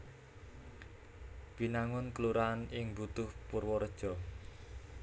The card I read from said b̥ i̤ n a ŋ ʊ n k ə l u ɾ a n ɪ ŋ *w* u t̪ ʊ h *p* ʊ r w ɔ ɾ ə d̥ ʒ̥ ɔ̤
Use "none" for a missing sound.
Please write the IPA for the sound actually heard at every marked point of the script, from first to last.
b, p

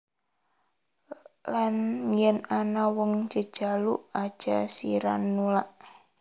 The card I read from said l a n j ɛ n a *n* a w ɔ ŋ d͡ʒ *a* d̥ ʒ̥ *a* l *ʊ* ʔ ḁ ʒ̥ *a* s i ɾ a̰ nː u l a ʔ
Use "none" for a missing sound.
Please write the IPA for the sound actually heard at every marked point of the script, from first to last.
n, ə, a, u, a

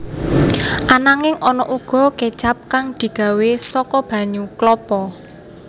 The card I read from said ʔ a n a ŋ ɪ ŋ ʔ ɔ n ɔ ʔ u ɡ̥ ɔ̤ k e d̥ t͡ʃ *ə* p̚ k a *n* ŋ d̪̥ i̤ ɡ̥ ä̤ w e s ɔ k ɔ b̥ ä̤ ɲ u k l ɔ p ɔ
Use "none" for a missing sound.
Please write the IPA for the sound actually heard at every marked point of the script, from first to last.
a, none

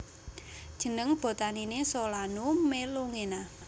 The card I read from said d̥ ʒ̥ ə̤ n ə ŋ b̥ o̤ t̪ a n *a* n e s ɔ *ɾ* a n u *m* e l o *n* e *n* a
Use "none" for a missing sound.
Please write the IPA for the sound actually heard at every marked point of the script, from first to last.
i, l, m, ŋ, n

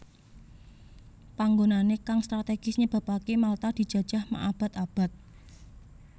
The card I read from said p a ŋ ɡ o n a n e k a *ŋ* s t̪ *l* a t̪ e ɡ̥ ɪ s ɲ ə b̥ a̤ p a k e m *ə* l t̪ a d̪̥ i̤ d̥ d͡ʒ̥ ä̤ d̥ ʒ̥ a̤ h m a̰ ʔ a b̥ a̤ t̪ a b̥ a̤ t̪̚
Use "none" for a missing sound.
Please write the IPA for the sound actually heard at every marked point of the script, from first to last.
ŋ, ɾ, a

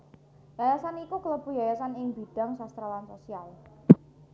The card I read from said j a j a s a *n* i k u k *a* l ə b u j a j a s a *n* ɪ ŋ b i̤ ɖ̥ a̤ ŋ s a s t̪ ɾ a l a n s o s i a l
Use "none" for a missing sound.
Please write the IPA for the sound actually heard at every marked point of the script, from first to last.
n, ə, n

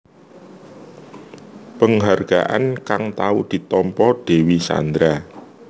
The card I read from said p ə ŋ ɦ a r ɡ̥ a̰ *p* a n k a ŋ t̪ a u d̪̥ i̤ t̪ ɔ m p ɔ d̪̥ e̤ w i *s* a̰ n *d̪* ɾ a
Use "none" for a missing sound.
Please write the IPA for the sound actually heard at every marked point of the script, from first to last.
ʔ, s, d̪

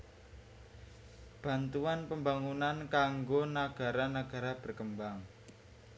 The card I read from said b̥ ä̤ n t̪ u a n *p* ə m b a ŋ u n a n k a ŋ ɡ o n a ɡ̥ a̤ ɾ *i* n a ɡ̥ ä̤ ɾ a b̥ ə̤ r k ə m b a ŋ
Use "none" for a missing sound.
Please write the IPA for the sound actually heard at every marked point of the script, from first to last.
p, a

